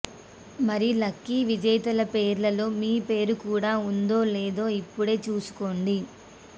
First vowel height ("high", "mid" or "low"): low